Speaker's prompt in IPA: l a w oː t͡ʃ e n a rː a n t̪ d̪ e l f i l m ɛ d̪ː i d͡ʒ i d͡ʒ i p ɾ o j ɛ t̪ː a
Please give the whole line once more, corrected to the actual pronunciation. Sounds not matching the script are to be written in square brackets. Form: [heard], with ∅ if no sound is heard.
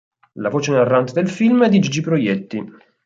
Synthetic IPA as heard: l a [v] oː t͡ʃ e n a rː a n t̪ d̪ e l f i l m ɛ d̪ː i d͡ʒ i d͡ʒ i p ɾ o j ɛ t̪ː [i]